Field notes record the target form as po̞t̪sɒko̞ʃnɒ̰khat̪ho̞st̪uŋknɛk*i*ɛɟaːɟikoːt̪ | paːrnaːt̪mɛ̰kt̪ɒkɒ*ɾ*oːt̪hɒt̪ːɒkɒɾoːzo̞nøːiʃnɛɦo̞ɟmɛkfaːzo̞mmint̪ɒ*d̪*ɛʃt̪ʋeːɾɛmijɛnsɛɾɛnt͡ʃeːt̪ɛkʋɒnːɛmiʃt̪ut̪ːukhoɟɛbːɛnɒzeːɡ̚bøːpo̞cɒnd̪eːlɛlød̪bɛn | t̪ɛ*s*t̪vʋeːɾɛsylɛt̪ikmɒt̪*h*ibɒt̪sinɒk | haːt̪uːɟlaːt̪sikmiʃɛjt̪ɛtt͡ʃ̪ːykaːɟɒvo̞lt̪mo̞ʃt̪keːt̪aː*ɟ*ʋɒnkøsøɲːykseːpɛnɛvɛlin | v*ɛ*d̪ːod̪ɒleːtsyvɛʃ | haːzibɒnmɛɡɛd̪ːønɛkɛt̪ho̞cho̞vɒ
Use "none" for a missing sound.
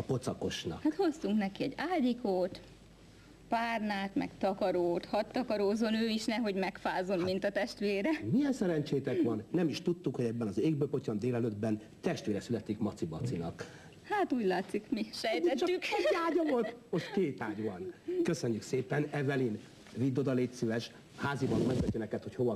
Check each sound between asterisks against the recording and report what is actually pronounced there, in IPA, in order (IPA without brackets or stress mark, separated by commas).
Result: i, ɾ, t̪, ʃ, s, ɟ, i